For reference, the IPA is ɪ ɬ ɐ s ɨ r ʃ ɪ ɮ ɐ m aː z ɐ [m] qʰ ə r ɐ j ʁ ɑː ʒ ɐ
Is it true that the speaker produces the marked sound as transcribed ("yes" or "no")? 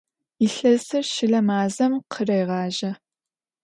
yes